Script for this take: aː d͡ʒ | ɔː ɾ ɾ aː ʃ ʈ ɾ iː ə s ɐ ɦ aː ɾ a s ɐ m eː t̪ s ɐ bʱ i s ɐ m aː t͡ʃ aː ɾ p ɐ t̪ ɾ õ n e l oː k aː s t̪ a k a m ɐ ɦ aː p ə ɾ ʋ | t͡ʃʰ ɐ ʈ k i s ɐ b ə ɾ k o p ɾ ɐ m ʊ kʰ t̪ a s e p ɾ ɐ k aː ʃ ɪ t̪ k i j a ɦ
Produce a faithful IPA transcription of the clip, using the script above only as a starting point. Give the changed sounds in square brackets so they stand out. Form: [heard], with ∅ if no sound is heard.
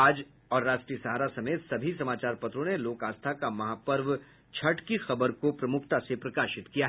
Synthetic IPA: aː d͡ʒ | ɔː ɾ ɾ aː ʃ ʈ ɾ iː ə s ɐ ɦ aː ɾ a s ɐ m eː t̪ s ɐ bʱ i s ɐ m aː t͡ʃ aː ɾ p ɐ t̪ ɾ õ n e l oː k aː s [t̪ʰ] a k a m ɐ ɦ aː p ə ɾ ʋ | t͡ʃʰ ɐ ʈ k i [x] ɐ b ə ɾ k o p ɾ ɐ m ʊ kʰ t̪ a s e p ɾ ɐ k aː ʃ ɪ t̪ k i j a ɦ